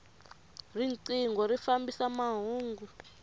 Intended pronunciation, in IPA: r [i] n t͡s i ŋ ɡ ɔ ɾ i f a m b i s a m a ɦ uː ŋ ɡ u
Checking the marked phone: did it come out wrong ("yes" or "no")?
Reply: no